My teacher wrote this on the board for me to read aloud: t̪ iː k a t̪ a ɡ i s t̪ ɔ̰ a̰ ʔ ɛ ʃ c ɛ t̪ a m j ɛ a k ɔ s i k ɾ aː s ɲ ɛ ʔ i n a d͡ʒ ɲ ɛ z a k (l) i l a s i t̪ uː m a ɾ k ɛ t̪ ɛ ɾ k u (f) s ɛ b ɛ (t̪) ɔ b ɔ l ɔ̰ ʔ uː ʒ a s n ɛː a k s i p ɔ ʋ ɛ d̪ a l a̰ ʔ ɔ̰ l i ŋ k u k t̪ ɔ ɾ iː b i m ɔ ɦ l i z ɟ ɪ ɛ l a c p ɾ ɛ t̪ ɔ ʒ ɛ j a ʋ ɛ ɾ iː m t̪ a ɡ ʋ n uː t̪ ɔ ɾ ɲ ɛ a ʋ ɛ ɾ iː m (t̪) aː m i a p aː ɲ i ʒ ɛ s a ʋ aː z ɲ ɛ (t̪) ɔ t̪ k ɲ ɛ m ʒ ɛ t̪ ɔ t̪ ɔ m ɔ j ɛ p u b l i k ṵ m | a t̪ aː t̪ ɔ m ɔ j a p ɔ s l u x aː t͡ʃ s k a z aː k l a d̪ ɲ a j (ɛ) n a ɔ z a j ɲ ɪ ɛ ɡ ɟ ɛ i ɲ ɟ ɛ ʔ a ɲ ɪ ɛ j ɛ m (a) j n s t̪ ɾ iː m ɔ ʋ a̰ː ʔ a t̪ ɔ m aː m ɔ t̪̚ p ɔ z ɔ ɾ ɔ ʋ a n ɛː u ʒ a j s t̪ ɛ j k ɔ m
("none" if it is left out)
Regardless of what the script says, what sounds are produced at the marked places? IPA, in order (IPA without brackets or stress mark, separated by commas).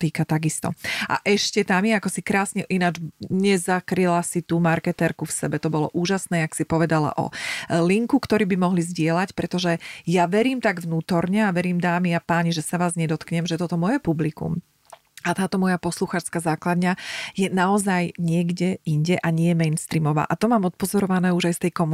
ɾ, f, t̪, d̪, d̪, ɛ, ɛ